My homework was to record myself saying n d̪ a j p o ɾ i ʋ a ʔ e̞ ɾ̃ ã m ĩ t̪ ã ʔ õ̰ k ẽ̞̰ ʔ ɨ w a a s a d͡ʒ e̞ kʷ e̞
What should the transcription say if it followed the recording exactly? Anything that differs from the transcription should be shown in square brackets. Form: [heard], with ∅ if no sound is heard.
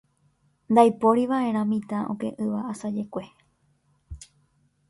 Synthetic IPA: n d̪ a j p o ɾ i ʋ a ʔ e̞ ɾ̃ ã m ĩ t̪ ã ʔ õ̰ k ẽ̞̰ ʔ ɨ [ʋ] a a s a d͡ʒ e̞ kʷ e̞